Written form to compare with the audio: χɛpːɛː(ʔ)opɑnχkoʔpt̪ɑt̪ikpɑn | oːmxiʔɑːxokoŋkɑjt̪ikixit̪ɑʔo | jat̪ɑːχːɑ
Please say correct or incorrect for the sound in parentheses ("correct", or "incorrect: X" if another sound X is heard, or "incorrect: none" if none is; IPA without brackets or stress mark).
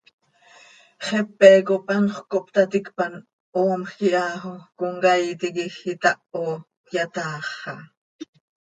incorrect: k